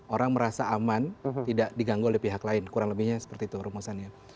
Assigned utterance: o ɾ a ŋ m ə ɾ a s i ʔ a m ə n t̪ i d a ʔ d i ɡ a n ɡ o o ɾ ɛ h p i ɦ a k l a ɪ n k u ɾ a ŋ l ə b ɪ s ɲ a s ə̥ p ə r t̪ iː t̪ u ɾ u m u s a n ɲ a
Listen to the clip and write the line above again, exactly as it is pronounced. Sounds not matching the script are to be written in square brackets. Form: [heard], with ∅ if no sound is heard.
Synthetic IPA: o ɾ a ŋ m ə ɾ a s [a] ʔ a m [a] n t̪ i d a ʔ d i ɡ a [ŋ] ɡ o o [l] ɛ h p i ɦ a k l a ɪ n k u ɾ a ŋ l ə b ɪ [h] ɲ a s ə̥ p ə r t̪ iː t̪ u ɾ u m u s a n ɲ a

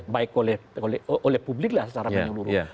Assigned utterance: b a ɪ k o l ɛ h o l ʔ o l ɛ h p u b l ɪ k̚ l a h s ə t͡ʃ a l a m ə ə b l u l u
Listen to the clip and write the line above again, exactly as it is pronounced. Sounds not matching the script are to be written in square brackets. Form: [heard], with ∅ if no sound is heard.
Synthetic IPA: b a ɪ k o l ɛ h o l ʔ o l ɛ h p u b l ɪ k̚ l a h s ə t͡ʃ a [ɾ] a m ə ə [∅] l u [ɾ] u

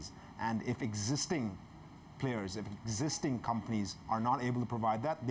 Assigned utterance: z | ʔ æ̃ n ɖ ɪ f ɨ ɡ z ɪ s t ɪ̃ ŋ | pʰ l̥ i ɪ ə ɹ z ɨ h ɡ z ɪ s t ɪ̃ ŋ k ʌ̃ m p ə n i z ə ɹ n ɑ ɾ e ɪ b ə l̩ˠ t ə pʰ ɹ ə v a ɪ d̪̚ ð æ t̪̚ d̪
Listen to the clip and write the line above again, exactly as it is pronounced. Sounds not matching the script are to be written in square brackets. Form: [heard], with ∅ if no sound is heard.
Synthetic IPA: z | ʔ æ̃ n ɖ ɪ f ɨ ɡ z ɪ s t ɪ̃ ŋ | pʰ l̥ [e] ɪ ə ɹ z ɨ [f] ɡ z ɪ s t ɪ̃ ŋ [kʰ] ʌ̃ m p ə n i z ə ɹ n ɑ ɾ e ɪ b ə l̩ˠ t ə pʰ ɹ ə v a ɪ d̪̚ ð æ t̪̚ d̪

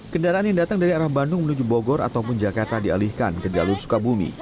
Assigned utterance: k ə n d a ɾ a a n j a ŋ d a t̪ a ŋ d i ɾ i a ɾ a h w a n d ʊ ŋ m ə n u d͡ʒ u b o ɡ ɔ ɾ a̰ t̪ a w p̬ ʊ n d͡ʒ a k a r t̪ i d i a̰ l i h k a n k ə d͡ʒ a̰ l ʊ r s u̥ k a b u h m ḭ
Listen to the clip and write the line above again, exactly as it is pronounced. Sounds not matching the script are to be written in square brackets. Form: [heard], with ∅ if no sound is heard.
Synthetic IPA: k ə n d a ɾ a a n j a ŋ d a t̪ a ŋ d [a] ɾ i a ɾ a h [b] a n d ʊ ŋ m ə n u d͡ʒ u b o ɡ ɔ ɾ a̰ t̪ a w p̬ ʊ n d͡ʒ a k a r t̪ [a] d i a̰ l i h k a n k ə d͡ʒ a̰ l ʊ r s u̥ k a b u [∅] m ḭ

